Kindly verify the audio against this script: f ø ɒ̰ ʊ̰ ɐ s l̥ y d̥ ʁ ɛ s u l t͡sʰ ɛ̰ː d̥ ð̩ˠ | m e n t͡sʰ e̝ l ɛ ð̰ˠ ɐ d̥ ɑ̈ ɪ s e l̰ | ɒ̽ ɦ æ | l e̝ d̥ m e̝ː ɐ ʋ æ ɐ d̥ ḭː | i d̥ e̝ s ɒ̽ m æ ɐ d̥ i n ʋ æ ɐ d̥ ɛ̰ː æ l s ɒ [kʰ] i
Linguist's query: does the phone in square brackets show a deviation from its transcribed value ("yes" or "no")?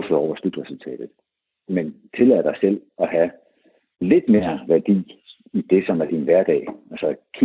no